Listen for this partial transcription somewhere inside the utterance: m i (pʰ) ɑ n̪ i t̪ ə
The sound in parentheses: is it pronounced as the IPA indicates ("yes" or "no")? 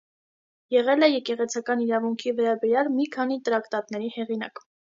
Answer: no